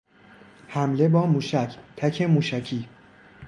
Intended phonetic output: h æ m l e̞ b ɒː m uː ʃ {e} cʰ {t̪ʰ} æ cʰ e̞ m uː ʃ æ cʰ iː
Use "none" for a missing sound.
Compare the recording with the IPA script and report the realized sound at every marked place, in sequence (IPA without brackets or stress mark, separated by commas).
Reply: æ, t̪ʰ